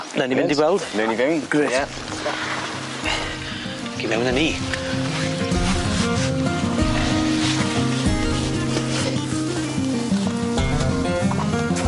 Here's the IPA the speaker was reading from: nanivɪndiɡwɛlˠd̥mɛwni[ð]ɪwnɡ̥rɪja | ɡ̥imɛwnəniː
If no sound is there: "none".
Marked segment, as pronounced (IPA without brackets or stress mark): v